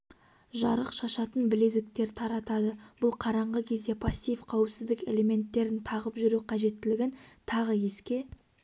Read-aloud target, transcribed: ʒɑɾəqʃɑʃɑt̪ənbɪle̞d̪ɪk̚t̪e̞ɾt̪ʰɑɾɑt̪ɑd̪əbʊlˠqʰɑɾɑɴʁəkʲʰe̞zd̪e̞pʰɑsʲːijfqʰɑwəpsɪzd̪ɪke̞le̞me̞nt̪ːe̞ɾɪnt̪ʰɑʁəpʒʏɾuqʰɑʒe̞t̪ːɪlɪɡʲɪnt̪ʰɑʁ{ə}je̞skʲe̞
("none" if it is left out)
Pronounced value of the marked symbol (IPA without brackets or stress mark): ə